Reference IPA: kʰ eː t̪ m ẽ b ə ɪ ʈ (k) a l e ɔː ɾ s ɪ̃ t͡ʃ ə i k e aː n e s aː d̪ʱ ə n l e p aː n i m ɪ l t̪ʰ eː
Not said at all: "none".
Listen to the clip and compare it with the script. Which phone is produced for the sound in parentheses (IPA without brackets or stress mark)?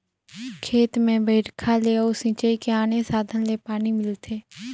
kʰ